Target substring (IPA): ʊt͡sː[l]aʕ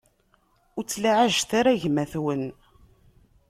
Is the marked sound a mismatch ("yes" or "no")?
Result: no